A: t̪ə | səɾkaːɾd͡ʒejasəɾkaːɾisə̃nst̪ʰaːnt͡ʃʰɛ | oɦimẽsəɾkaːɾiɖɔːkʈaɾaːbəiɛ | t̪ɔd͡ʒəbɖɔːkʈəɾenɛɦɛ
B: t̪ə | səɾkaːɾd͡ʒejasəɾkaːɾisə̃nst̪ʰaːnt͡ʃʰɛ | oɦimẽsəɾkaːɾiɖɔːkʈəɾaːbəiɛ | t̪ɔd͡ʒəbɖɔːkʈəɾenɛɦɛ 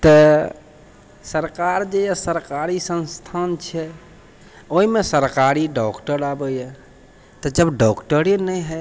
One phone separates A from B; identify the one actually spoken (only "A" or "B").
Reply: B